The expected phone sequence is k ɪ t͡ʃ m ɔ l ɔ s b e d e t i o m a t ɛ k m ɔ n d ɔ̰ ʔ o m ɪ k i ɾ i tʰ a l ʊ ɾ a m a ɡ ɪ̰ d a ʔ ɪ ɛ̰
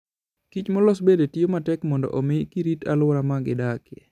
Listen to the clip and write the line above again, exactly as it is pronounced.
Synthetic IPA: k i t͡ʃ m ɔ l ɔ s b e d e t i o m a t ɛ k m ɔ n d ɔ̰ ʔ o m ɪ k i ɾ i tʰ a l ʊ ɾ a m a ɡ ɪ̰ d a k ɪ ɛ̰